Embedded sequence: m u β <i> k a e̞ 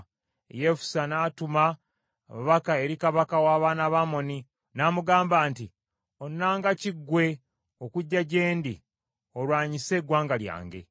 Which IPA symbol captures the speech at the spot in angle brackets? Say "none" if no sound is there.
a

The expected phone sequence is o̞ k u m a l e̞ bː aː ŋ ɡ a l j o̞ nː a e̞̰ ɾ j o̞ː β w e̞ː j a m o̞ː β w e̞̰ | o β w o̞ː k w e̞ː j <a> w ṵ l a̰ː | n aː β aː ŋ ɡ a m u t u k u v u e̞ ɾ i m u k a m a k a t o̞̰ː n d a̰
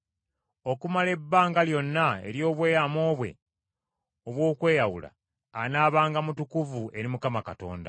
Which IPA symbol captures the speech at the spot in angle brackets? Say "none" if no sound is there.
a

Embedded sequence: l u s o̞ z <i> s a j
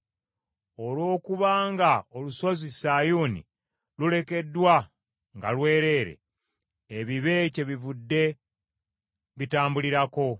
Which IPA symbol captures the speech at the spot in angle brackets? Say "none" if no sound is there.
i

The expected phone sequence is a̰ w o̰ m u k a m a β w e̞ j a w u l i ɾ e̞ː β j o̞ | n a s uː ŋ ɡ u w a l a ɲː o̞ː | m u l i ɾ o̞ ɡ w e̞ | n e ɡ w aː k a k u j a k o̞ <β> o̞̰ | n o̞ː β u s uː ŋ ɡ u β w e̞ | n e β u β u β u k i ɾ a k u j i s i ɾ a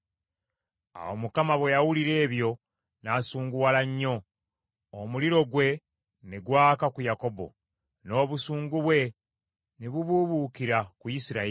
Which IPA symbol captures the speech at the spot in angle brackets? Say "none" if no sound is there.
b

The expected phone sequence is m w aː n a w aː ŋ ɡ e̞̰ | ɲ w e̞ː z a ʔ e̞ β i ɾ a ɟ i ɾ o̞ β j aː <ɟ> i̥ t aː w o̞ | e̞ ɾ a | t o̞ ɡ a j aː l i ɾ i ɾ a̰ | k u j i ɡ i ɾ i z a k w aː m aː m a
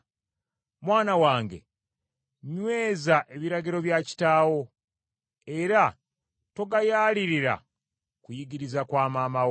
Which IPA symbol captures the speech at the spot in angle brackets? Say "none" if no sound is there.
c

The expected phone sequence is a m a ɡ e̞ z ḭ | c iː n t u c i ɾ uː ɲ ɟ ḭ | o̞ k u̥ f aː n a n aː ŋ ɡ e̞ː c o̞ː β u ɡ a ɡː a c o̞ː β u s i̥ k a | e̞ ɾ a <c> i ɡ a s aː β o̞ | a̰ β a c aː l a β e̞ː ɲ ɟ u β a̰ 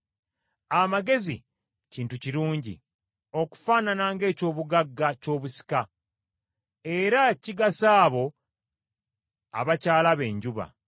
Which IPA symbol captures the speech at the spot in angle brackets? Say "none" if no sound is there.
c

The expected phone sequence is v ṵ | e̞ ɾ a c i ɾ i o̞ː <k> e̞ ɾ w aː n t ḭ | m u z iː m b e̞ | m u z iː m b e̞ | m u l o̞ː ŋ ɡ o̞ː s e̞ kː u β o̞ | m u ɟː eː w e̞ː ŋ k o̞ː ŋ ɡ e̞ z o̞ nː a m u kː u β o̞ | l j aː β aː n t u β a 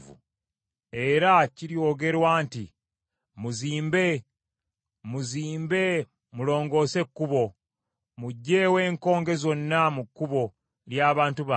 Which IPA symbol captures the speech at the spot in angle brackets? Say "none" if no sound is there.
ɡ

